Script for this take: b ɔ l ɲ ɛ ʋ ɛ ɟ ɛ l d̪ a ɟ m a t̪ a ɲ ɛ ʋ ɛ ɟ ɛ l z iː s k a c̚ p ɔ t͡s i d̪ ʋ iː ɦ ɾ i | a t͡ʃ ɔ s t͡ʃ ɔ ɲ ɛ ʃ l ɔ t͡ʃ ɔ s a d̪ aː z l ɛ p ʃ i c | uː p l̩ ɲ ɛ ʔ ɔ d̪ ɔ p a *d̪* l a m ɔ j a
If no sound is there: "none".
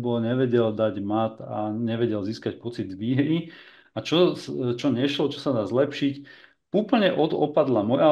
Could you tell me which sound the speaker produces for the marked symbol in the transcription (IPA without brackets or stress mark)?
d̪